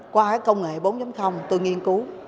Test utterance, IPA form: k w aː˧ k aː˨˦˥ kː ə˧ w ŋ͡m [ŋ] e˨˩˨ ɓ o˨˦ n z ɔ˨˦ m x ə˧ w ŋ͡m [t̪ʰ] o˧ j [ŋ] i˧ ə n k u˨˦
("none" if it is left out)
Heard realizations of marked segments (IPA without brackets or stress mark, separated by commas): ŋ, t̪, ŋ